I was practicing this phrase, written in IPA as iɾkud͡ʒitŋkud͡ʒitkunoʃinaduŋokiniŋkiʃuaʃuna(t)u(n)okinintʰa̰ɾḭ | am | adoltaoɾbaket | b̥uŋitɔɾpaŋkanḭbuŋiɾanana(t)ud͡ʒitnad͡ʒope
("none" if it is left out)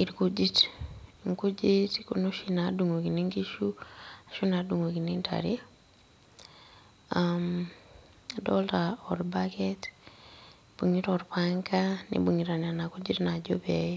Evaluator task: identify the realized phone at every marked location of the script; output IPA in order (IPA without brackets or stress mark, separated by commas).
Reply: d, ŋ, k